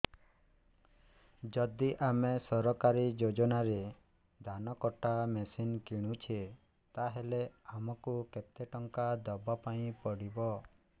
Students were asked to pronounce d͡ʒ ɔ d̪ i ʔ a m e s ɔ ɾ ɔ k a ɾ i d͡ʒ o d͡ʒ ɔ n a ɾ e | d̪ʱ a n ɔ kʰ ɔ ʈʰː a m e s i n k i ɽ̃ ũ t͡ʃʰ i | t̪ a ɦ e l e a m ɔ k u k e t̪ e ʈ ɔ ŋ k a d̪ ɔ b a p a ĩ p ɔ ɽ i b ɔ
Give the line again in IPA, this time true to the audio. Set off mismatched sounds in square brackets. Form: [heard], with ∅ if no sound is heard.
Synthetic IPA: d͡ʒ ɔ d̪ i ʔ a m e s ɔ ɾ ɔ k a ɾ i d͡ʒ o d͡ʒ ɔ n a ɾ e | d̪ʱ a n ɔ [k] ɔ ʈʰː a m e s i n k i ɽ̃ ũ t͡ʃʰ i | t̪ a ɦ e l e a m ɔ k u k e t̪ e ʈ ɔ ŋ k a d̪ ɔ b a p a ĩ p ɔ ɽ i b ɔ